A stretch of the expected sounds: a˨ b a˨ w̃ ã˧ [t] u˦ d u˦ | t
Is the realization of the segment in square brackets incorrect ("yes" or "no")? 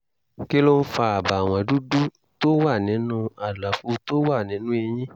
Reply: yes